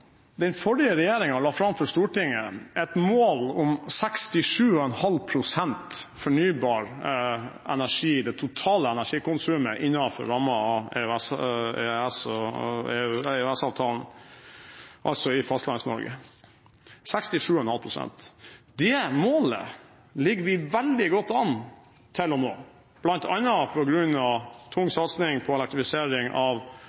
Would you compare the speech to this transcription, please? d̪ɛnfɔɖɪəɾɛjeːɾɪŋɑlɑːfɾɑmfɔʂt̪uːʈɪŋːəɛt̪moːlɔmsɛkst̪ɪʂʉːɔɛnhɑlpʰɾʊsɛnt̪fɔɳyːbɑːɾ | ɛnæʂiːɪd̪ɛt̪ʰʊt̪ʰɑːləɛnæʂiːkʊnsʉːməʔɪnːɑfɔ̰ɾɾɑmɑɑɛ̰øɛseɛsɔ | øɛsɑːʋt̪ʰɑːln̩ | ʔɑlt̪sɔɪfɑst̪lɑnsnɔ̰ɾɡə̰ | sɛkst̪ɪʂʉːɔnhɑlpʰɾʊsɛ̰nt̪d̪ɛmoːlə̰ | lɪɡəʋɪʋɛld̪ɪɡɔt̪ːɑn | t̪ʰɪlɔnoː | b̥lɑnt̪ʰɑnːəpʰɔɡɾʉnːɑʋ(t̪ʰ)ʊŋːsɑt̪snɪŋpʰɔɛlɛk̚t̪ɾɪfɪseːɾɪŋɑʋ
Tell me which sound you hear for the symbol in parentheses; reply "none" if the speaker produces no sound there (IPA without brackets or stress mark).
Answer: t̪ʰ